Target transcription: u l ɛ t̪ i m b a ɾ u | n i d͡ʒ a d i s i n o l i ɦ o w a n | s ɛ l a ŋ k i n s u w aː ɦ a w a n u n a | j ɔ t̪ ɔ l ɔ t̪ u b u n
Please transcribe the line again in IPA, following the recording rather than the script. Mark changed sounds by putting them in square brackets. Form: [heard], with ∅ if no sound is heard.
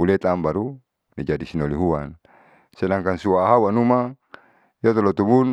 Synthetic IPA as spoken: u l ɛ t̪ [a] m b a ɾ u | n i d͡ʒ a d i s i n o l i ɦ [u] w a n | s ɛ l a ŋ k [a] n s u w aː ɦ a w a n u [m] a | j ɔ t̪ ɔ l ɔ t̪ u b u n

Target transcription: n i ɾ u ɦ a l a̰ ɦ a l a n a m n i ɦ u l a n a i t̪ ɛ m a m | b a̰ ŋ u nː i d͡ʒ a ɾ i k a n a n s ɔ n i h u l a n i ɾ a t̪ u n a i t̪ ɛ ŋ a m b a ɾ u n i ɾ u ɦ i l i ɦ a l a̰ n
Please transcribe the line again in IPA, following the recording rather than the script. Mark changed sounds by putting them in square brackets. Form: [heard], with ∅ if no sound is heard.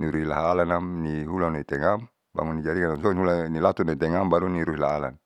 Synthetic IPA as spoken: n i ɾ u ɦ [i] l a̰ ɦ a l a n a m n i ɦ u l a n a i t̪ ɛ [ŋ] a m | b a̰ ŋ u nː i d͡ʒ a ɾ i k a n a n s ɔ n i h u l a n i [l] a t̪ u n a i t̪ ɛ ŋ a m b a ɾ u n i ɾ u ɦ i l [a] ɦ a l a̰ n

